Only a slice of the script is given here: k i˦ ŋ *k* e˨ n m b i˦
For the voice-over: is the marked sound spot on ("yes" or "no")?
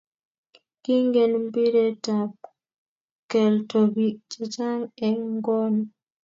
no